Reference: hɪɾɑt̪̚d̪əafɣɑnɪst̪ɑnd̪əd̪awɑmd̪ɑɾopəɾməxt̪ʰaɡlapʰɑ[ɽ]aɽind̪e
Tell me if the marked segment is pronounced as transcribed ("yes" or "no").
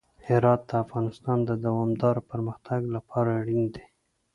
no